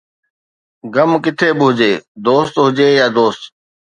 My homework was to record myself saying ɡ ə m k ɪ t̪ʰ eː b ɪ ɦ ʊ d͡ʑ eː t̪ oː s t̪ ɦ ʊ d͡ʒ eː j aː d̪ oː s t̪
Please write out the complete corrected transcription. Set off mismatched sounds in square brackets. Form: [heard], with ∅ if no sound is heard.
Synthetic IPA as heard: ɡ ə m k ɪ t̪ʰ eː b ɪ ɦ ʊ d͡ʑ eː [d̪] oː s t̪ ɦ ʊ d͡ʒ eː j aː d̪ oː s t̪